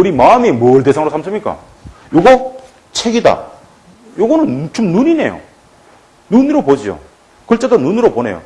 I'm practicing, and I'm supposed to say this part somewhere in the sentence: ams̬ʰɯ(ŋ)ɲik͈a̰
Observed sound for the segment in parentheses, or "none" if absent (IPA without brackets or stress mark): m